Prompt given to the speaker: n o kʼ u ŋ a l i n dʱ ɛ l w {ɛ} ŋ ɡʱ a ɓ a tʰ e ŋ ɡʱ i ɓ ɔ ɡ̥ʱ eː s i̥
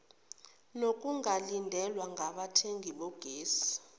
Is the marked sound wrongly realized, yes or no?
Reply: yes